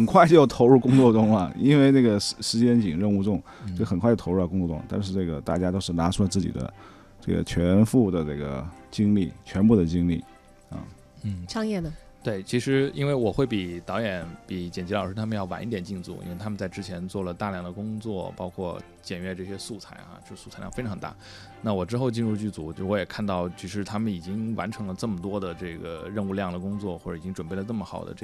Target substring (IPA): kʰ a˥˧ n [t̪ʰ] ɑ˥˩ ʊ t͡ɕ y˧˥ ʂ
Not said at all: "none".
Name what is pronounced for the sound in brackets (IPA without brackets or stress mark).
t̪